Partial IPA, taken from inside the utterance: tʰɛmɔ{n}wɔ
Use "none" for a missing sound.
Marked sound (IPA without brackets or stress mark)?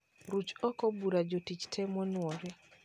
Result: n